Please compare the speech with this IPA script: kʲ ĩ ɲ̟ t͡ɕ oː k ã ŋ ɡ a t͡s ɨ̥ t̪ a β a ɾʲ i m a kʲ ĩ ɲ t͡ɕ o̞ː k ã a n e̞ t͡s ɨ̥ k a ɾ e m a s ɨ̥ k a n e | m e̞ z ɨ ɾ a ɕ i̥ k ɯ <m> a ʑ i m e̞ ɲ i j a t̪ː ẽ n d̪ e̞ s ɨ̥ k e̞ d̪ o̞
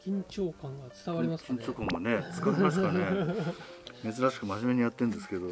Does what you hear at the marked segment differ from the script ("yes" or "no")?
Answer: no